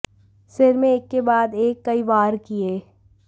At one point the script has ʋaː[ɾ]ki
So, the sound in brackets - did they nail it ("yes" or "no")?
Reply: yes